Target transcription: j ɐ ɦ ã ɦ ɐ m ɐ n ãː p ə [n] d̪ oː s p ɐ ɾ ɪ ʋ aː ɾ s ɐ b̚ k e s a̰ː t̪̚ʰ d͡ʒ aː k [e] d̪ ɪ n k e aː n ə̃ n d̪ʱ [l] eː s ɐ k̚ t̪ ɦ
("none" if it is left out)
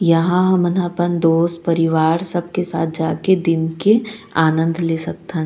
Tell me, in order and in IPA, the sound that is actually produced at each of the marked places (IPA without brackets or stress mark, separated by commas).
n, e, l